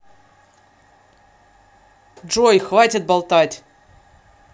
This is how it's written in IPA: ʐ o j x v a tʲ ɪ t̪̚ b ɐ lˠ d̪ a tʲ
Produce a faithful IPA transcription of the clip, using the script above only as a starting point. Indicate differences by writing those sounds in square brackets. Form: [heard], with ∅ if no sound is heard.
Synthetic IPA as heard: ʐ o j x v a tʲ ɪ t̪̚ b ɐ lˠ [t̪] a tʲ

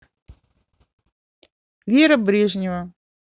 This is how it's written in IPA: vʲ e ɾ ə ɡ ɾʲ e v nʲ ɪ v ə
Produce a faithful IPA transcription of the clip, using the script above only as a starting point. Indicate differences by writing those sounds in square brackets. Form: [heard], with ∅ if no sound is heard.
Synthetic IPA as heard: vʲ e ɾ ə [b] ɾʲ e [ʐ] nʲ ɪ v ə

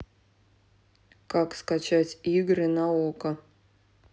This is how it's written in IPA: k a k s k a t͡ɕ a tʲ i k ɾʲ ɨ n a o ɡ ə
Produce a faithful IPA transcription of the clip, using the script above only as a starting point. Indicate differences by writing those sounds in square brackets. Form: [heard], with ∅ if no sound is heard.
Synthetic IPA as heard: k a k s k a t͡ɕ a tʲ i [ɡ] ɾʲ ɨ n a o [k] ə

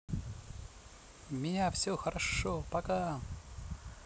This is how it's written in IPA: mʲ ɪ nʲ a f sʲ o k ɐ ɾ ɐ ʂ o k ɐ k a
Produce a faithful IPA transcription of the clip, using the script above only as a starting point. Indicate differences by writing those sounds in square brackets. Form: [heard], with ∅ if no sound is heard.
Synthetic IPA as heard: mʲ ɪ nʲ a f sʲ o [x] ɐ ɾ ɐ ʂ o [p] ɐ k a

